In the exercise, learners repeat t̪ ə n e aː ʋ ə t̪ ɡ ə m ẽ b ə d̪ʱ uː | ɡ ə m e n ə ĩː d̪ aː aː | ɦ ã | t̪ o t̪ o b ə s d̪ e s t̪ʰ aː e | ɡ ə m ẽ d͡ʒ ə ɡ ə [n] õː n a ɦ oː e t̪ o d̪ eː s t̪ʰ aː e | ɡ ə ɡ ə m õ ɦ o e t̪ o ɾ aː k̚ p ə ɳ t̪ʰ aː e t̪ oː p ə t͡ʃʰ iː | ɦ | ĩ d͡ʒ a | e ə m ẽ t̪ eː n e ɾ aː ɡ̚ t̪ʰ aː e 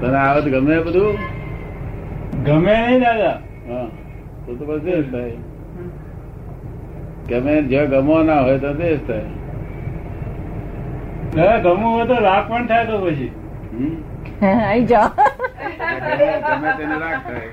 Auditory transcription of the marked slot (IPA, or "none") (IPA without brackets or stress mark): m